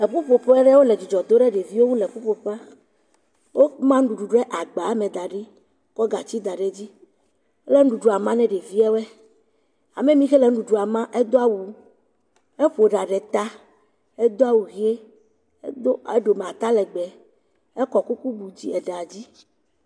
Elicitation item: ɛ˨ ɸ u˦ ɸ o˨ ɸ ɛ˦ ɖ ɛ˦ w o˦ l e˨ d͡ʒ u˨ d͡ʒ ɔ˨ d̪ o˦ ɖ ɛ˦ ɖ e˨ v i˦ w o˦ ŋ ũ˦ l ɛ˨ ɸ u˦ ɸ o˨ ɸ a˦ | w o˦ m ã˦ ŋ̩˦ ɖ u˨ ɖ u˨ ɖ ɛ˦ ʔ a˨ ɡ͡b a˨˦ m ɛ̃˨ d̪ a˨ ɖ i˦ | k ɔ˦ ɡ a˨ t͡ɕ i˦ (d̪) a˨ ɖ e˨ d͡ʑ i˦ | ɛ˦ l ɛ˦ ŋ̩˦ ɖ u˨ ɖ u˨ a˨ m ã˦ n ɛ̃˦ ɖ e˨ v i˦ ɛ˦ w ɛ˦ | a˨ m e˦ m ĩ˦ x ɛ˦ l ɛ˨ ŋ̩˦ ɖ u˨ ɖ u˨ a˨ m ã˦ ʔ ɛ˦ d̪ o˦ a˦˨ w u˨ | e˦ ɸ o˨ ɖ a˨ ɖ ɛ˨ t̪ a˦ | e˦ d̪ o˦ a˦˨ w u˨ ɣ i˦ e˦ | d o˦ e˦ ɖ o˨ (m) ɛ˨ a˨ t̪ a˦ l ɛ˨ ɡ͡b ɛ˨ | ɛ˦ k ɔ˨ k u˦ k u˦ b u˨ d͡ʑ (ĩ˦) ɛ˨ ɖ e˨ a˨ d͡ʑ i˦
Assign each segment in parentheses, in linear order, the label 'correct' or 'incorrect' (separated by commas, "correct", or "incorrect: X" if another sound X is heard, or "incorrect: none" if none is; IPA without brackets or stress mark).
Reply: correct, correct, incorrect: i˦